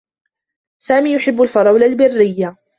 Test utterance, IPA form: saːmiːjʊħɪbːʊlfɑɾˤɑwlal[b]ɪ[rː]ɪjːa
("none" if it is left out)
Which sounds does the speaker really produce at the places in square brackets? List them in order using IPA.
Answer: b, rː

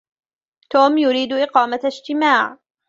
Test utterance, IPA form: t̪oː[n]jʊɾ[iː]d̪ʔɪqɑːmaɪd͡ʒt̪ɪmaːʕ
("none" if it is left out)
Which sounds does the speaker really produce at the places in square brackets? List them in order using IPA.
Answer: m, iː

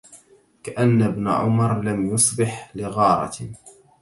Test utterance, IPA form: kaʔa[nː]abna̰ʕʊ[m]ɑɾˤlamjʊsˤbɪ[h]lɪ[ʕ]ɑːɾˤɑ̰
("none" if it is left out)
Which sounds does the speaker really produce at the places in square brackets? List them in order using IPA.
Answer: nː, m, ħ, ɣ

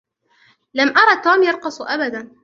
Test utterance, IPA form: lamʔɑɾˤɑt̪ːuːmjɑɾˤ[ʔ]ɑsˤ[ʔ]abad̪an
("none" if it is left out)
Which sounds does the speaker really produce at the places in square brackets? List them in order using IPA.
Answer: q, ʔ

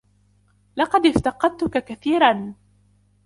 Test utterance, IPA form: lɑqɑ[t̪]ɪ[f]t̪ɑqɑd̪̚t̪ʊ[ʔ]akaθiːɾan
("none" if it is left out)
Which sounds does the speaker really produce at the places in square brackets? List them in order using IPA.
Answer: d̪, f, k

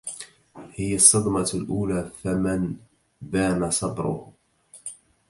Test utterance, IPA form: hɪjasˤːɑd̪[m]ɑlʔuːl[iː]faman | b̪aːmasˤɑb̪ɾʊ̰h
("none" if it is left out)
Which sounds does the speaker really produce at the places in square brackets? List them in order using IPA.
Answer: m, aː

